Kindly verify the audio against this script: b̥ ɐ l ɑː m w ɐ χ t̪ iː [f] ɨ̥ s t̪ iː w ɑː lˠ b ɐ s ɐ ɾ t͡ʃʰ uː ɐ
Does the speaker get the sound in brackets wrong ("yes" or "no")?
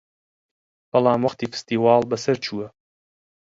no